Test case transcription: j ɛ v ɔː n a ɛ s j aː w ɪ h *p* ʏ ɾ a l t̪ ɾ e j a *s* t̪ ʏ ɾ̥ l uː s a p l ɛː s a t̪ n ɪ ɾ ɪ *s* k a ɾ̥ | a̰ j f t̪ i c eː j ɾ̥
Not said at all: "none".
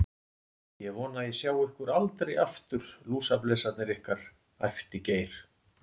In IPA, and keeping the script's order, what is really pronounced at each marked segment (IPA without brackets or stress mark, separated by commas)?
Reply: k, f, h